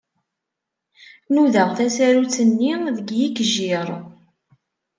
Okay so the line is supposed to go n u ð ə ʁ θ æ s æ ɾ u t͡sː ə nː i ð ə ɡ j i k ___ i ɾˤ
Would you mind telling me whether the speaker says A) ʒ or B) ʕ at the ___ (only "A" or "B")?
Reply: A